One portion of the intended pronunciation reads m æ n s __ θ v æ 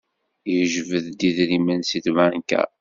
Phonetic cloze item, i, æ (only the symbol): i